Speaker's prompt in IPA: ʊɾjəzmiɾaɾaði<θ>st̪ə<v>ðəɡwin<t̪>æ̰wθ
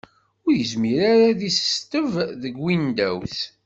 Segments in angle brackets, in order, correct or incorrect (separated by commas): incorrect, correct, incorrect